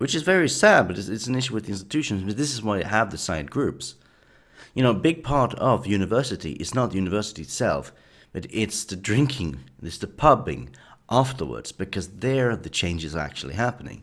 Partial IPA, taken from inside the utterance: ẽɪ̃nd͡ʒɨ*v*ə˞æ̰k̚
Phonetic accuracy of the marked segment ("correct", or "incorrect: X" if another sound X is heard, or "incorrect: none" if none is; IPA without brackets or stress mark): incorrect: z